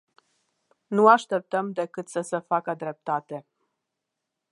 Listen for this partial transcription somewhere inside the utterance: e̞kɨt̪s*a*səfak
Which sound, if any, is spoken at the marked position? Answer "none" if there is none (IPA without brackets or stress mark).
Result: ə